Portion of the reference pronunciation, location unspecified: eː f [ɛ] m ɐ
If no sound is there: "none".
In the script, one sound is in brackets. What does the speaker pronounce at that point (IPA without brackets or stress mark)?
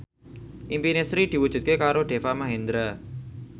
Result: a